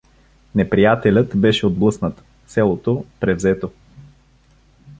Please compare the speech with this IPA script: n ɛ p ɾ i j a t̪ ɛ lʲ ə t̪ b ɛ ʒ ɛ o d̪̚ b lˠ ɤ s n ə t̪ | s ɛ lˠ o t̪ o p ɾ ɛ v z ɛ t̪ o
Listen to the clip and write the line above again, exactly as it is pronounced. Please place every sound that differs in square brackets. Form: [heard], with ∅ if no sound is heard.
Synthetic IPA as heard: n ɛ p ɾ i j a t̪ ɛ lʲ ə t̪ b ɛ [ʃ] ɛ o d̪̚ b lˠ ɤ s n ə t̪ | s ɛ lˠ o t̪ o p ɾ ɛ v z ɛ t̪ o